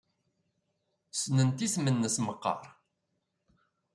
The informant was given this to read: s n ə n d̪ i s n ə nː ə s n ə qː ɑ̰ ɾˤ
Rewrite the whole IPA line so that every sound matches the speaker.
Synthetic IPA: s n ə n t̪ i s m ə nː ə s m ə qː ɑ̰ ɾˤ